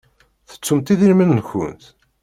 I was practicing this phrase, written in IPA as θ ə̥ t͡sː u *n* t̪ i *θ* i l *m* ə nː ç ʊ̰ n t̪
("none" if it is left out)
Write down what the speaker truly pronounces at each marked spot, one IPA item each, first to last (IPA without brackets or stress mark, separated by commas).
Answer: m, ð, m